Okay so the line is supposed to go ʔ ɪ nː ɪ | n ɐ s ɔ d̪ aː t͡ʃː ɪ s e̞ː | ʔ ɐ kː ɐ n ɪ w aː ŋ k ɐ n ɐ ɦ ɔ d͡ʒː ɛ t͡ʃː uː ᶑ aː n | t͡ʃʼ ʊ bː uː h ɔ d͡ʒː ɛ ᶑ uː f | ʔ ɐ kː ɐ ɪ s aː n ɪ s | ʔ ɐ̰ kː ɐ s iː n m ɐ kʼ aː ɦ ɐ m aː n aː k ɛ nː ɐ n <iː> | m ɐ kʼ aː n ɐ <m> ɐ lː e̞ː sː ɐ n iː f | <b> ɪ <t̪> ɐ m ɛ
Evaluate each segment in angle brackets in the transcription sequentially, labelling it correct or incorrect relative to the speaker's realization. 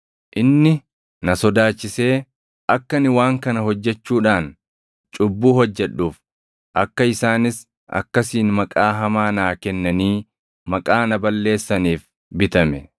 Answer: correct, incorrect: b, correct, correct

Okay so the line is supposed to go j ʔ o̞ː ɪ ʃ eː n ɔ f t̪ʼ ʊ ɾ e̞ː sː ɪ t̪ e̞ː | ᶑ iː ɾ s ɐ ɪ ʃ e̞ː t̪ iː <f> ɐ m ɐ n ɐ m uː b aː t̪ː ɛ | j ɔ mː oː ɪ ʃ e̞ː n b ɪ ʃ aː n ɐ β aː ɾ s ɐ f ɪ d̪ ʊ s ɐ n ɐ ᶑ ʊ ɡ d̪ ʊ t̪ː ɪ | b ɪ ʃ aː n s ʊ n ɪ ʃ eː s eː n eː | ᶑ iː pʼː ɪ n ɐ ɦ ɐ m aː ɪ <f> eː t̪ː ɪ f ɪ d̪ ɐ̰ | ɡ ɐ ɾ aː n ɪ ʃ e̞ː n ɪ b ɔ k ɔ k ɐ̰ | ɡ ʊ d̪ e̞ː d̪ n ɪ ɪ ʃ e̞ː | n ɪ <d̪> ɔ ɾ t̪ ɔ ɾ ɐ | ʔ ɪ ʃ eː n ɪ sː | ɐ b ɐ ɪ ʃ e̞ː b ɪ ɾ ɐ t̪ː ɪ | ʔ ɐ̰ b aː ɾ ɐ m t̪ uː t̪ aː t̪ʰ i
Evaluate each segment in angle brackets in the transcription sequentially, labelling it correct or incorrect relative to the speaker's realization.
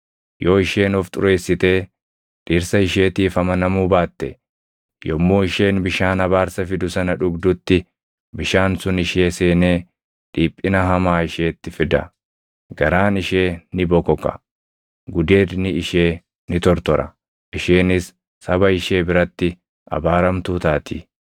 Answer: correct, incorrect: ʃ, incorrect: t̪

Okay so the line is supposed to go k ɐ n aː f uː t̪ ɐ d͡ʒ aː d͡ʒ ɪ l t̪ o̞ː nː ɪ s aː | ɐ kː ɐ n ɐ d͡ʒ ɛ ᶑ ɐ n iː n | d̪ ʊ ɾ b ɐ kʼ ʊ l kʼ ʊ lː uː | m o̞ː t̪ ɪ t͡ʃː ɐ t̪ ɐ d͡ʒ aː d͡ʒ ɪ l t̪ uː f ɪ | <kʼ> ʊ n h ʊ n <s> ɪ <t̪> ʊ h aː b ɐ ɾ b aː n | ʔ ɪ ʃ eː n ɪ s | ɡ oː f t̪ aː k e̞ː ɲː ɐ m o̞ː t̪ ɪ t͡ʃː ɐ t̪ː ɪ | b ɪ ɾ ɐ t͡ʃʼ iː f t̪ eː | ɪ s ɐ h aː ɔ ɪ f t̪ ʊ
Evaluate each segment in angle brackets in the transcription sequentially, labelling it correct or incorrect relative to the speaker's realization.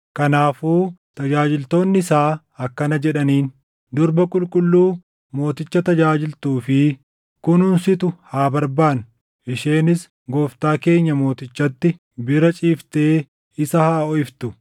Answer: incorrect: k, correct, correct

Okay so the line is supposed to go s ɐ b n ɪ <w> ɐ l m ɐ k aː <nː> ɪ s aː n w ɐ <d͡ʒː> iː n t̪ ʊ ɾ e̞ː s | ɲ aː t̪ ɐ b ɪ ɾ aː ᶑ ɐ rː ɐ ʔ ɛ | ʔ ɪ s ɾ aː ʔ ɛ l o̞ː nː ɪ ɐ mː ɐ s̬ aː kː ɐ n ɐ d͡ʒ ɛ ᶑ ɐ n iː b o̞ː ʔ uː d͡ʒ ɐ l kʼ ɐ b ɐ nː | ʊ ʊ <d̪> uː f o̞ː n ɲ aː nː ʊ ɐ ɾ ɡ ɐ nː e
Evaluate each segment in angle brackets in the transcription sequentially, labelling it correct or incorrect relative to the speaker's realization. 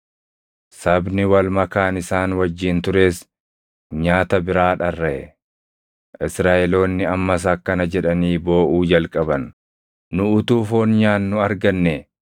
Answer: correct, incorrect: n, correct, incorrect: t̪

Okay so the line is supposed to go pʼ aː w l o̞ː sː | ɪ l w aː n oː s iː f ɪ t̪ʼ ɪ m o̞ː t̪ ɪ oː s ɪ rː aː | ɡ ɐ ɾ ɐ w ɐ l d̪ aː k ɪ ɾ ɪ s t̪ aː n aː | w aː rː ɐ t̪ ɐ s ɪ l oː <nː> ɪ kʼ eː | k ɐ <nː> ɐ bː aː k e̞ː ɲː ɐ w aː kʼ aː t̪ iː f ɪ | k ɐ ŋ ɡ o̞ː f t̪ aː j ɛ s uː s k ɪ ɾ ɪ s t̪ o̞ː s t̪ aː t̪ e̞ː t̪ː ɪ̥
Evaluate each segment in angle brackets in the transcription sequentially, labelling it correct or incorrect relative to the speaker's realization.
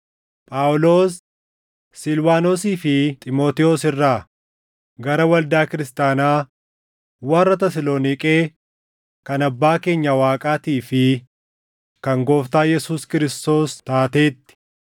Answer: incorrect: n, incorrect: n

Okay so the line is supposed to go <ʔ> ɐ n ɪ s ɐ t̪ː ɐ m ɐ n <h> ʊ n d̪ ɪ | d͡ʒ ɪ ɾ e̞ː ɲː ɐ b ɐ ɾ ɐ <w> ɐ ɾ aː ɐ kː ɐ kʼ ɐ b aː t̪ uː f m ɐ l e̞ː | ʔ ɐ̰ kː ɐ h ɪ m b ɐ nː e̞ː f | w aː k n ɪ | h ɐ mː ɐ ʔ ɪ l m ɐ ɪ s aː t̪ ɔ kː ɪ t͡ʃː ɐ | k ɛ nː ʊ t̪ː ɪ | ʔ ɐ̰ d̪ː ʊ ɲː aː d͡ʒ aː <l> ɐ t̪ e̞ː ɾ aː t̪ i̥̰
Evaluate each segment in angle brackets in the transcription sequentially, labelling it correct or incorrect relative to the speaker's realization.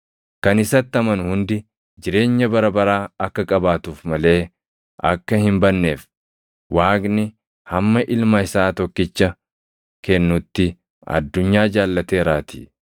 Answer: incorrect: k, correct, incorrect: b, incorrect: lː

